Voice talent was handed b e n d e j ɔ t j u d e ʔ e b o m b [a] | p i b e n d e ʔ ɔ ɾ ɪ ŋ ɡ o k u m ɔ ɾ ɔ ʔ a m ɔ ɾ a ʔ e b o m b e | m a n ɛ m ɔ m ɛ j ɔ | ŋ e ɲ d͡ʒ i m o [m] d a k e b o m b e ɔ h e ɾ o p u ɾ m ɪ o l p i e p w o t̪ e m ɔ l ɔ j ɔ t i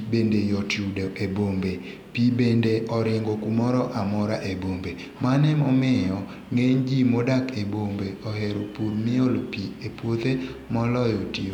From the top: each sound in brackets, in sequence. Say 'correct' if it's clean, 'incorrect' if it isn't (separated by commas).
incorrect, incorrect